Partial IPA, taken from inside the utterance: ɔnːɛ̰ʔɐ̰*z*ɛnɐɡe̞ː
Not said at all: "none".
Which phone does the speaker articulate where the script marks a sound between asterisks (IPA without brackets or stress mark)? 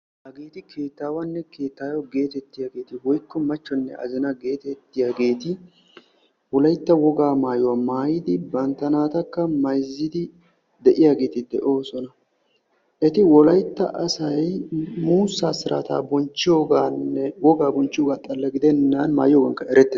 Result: z